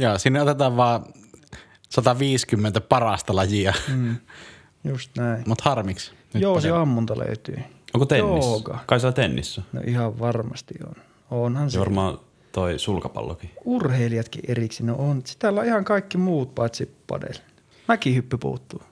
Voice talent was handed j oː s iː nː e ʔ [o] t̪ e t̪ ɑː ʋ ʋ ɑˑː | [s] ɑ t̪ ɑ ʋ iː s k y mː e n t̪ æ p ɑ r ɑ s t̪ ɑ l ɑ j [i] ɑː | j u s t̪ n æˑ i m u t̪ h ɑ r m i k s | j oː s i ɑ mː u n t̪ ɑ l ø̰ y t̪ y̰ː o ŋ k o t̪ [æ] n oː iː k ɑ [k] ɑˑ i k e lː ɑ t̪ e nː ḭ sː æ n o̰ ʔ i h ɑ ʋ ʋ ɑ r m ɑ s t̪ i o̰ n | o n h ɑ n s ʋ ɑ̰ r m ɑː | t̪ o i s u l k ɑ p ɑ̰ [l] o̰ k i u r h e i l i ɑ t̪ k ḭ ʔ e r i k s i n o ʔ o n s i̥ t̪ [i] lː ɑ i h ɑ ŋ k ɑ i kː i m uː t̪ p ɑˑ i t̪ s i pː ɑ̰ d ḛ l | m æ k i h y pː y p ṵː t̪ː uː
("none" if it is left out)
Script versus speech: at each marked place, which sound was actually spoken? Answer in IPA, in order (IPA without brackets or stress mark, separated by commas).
o, s, i, e, k, lː, æ